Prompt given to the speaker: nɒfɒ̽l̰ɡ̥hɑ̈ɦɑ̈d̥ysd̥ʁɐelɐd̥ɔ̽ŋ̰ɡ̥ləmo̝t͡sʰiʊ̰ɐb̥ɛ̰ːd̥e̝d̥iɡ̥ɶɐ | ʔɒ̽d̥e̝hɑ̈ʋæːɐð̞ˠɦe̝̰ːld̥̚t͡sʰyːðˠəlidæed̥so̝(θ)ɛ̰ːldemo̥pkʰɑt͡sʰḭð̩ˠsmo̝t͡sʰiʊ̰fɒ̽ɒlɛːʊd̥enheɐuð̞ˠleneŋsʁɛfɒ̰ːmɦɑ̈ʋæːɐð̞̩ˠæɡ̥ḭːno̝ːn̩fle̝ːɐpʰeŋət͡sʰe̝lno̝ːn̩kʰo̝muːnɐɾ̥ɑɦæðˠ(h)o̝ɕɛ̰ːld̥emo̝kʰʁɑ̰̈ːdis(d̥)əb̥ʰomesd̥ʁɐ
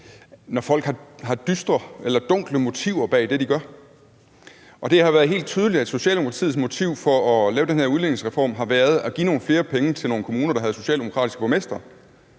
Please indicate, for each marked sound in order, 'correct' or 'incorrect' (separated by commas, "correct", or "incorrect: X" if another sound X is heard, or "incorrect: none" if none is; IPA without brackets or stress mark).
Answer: incorrect: ɕ, incorrect: s, incorrect: ɡ̥